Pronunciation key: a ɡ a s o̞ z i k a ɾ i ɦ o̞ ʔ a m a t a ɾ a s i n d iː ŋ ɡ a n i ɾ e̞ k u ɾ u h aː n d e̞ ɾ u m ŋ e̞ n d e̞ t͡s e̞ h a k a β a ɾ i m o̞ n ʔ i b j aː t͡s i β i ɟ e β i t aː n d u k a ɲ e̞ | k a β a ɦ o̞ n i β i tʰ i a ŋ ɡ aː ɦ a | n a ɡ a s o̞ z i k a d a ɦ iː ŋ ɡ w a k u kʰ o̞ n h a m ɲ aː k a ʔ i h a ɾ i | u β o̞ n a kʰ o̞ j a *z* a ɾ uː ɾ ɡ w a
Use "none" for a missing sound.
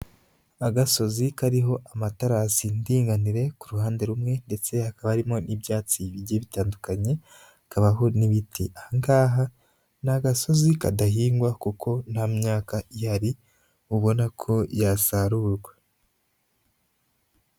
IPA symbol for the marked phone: s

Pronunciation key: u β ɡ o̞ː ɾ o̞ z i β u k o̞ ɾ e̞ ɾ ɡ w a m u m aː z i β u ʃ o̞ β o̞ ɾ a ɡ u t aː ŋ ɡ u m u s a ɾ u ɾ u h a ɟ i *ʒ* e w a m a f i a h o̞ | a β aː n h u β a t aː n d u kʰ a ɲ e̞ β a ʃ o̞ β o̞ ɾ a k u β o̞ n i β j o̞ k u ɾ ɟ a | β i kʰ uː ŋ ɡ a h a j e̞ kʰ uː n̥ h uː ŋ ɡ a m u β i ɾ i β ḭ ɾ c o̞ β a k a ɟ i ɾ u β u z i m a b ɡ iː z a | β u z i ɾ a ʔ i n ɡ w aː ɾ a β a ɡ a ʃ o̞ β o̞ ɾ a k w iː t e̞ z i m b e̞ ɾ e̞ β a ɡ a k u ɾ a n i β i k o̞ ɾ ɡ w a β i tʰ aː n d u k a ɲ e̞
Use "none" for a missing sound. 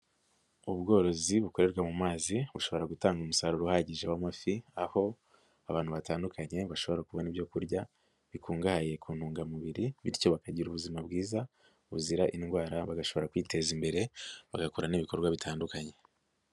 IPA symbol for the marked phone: ʒ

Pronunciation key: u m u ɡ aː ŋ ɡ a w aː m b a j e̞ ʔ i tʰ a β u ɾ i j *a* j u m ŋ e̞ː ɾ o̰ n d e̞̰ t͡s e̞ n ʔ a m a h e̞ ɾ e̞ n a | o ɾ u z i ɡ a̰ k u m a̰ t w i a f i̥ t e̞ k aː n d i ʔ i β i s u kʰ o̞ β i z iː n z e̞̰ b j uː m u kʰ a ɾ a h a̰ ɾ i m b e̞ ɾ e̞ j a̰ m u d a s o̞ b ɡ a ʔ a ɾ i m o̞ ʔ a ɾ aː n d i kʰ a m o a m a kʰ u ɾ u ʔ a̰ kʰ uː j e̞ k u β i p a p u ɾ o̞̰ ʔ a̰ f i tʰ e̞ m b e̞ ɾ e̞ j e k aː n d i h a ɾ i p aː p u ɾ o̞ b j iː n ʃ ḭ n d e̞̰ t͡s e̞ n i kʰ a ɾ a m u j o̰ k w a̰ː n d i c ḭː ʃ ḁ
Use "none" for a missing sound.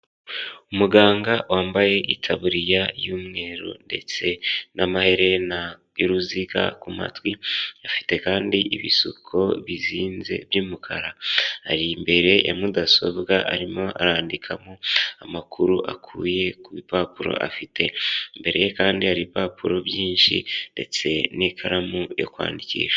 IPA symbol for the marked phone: a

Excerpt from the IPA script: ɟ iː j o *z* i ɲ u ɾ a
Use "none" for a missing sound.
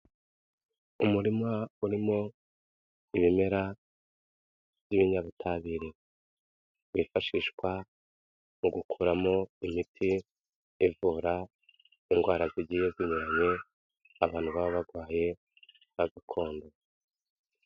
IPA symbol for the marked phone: z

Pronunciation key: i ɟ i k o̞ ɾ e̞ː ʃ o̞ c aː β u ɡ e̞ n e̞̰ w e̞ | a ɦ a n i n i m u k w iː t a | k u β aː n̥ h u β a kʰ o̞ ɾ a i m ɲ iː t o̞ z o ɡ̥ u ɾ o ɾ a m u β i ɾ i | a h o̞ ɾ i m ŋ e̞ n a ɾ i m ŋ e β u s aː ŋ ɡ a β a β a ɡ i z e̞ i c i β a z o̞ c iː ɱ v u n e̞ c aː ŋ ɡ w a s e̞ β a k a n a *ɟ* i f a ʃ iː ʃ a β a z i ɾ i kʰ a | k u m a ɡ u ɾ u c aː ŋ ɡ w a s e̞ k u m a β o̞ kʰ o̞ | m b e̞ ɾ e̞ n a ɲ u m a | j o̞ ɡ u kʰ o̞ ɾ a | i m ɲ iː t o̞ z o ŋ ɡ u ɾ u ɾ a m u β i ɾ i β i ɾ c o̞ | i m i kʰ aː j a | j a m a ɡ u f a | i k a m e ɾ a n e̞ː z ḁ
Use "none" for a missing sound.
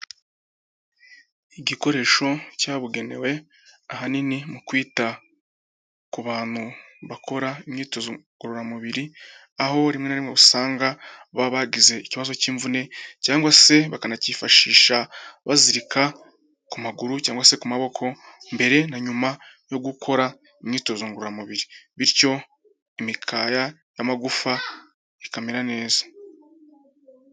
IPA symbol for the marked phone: c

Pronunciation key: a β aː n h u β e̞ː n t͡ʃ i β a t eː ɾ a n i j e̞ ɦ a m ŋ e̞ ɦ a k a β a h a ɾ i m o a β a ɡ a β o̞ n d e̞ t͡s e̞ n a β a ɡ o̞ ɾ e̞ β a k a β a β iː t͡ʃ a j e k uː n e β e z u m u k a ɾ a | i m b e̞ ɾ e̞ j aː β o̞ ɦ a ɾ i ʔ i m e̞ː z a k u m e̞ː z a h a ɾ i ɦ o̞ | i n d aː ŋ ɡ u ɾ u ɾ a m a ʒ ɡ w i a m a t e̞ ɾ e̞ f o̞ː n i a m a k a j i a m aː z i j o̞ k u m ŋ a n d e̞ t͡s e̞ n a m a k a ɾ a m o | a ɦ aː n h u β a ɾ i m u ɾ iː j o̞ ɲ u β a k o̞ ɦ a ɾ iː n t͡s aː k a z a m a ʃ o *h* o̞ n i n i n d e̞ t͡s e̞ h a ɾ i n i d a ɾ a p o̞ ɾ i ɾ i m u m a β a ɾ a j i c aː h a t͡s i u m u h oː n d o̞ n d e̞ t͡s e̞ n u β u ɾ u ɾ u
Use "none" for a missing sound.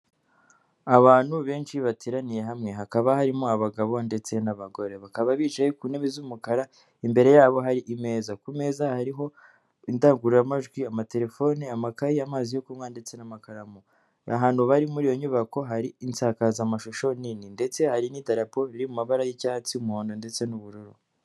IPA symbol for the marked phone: ʃ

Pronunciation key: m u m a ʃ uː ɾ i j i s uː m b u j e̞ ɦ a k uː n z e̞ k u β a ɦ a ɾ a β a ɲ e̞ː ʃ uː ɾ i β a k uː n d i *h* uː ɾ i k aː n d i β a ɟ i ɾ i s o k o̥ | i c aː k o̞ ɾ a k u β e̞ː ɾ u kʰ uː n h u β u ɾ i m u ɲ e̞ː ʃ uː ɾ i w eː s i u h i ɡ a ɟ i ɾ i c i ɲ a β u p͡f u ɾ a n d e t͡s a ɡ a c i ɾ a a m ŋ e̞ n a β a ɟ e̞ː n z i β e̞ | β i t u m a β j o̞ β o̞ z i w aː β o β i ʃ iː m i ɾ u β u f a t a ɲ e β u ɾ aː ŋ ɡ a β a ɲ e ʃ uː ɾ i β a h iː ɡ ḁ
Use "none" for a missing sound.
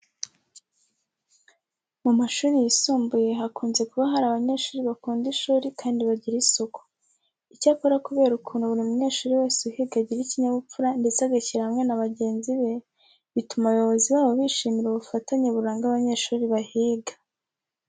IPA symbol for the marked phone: ʃ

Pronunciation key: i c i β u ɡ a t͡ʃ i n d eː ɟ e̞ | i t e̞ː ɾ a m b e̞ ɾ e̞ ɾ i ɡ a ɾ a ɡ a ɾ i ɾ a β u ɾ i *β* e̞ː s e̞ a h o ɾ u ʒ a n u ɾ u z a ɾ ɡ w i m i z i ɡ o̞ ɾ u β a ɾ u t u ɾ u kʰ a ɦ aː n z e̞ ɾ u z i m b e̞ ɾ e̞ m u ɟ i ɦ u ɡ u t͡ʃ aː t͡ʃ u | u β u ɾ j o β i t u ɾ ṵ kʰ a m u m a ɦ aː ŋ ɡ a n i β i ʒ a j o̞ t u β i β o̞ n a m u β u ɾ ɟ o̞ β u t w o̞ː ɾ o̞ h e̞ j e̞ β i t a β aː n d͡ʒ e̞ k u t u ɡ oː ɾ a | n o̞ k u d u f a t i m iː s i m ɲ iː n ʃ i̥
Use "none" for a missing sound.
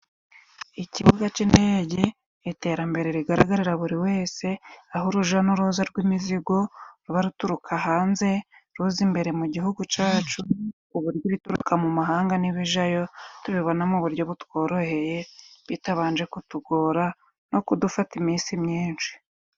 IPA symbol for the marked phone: w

